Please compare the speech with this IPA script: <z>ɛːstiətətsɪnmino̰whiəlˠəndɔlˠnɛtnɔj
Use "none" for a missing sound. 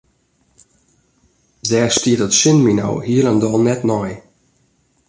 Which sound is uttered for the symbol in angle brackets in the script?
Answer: z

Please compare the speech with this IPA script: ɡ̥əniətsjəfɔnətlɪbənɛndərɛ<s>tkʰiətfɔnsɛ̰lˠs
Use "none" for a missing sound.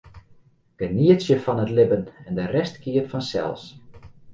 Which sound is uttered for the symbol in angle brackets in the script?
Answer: s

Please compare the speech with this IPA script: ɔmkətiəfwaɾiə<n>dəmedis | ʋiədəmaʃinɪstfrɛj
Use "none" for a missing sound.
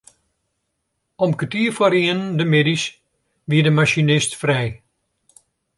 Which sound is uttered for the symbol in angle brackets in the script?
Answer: n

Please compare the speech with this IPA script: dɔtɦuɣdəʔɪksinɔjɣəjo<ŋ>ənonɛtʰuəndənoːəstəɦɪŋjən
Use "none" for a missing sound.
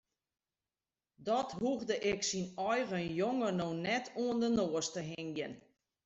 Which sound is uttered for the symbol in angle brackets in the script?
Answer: ŋ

